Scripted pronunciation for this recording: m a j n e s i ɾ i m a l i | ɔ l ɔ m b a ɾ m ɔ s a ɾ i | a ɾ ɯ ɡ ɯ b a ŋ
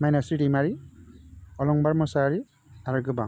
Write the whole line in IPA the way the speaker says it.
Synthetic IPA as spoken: m a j n a s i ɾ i m a ɾ i | ɔ l ɔ ŋ b a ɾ m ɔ s a ɾ i | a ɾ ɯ ɡ ɯ b a ŋ